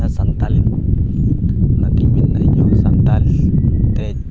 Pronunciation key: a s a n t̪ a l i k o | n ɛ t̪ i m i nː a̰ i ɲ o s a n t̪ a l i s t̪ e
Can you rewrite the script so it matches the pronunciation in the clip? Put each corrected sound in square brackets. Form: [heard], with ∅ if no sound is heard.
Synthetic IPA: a s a n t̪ a l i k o | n [a] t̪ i m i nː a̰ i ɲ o s a n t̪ a l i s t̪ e